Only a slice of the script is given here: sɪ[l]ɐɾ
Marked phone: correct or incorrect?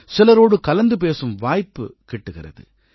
correct